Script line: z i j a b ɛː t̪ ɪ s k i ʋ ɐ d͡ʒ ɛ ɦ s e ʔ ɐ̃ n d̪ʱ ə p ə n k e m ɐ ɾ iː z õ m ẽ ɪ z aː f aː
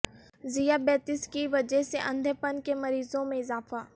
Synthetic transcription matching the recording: z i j a b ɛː t̪ ɪ s k i ʋ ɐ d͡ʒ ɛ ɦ s e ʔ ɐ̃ n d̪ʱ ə p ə n k e m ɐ ɾ iː z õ m ẽ ɪ z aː f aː